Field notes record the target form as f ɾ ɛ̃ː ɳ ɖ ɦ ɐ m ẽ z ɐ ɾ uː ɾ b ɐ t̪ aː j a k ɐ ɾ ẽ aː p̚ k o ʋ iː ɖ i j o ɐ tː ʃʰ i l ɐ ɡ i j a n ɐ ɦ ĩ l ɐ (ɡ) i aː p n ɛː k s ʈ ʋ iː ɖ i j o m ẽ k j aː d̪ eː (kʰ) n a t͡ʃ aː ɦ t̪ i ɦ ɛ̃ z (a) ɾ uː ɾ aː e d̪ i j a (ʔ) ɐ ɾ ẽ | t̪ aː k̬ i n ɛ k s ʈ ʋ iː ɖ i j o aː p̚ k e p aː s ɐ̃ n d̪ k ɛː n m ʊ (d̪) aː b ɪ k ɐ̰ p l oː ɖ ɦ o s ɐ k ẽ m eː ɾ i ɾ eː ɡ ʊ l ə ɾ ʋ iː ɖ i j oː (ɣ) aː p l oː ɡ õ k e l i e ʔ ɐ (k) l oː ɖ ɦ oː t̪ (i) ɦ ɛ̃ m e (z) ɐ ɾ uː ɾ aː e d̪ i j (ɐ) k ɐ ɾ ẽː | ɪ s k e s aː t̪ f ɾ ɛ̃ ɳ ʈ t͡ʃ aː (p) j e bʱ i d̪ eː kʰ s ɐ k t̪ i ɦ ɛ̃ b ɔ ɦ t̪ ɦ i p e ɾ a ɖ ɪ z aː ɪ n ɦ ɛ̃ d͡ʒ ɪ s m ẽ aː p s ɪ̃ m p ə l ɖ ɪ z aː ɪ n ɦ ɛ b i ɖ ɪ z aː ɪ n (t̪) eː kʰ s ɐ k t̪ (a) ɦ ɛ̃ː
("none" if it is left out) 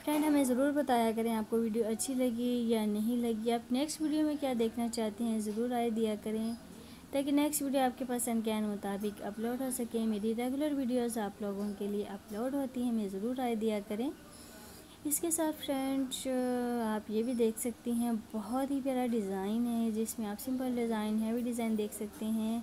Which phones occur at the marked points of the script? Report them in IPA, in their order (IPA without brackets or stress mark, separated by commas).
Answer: ɡ, kʰ, ɐ, k, t̪, z, p, i, z, a, p, d̪, e